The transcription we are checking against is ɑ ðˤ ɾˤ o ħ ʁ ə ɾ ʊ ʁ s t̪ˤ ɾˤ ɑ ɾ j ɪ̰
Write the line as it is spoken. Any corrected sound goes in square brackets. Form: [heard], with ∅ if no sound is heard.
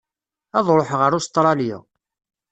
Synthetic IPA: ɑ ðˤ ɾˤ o ħ ʁ ə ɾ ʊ [∅] s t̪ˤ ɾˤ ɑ [l] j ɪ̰